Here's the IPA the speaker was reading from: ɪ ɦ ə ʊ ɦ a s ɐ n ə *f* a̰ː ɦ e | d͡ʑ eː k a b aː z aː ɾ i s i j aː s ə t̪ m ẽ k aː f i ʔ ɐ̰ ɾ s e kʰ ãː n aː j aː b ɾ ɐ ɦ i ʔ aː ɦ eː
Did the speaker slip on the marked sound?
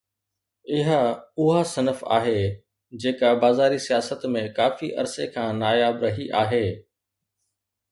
no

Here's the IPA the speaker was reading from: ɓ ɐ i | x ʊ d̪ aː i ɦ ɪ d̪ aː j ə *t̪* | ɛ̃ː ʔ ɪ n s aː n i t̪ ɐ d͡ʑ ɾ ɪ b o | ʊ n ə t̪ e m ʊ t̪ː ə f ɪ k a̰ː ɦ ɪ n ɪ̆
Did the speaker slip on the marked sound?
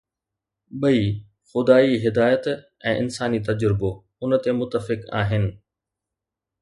no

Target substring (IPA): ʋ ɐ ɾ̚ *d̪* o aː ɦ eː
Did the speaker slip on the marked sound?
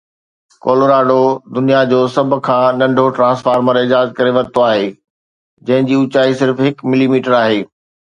yes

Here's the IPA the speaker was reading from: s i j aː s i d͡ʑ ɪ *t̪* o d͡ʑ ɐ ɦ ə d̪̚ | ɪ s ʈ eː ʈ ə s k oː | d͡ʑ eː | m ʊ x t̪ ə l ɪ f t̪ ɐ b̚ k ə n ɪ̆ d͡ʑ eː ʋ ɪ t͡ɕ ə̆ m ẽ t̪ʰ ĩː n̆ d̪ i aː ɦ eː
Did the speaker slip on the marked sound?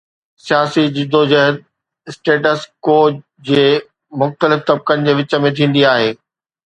yes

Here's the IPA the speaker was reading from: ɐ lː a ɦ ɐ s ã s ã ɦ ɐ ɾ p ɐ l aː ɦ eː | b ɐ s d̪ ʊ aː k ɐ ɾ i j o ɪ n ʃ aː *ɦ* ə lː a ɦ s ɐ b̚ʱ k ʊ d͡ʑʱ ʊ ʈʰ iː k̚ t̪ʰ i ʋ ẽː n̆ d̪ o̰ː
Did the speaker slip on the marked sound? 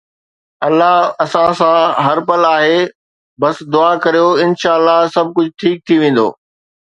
yes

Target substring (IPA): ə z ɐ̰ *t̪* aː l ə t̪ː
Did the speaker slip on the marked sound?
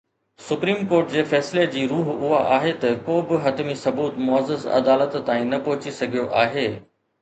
yes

